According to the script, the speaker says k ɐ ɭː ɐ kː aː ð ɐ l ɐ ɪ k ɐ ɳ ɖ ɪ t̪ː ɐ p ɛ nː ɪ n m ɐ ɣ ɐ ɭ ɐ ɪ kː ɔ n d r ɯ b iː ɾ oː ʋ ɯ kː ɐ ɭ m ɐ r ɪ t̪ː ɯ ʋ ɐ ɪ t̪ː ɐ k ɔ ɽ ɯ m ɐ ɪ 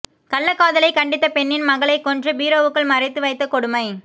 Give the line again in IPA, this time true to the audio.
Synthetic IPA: k ɐ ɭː ɐ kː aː ð ɐ l ɐ ɪ k ɐ ɳ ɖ ɪ t̪ː ɐ p ɛ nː ɪ n m ɐ ɣ ɐ ɭ ɐ ɪ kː ɔ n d r ɯ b iː ɾ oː ʋ ɯ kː ɐ ɭ m ɐ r ɪ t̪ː ɯ ʋ ɐ ɪ t̪ː ɐ k ɔ ɽ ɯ m ɐ ɪ